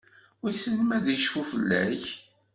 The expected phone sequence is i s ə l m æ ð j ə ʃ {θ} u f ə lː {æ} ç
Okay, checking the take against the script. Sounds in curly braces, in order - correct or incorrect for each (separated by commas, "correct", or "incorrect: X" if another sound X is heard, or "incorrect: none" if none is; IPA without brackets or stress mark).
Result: incorrect: f, correct